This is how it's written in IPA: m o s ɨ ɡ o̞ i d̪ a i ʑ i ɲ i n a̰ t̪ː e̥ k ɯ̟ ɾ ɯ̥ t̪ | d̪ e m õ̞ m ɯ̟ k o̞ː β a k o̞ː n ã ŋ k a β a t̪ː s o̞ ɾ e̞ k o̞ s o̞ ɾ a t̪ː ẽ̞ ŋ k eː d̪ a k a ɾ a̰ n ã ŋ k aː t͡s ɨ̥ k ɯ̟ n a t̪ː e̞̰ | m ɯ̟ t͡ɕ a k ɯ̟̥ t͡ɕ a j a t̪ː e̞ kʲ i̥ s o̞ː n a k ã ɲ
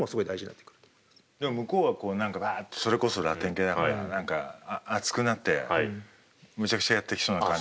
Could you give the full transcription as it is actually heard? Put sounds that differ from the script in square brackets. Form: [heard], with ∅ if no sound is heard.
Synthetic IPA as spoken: m o s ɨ ɡ o̞ i d̪ a i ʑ i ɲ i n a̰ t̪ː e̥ k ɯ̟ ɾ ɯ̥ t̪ | d̪ e m [o̞] m ɯ̟ k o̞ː β a k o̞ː n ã ŋ k a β a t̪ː s o̞ ɾ e̞ k o̞ s o̞ ɾ a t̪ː ẽ̞ ŋ k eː d̪ a k a ɾ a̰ n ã ŋ k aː t͡s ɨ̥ k ɯ̟ n a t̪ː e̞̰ | m ɯ̟ t͡ɕ a k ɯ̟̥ t͡ɕ a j a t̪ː e̞ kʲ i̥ s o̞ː n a k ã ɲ